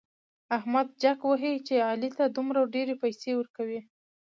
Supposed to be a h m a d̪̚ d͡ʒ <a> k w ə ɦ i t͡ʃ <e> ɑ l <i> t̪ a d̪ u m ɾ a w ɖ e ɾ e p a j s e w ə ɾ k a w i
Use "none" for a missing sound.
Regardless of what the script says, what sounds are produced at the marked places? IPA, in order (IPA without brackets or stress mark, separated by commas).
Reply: a, e, i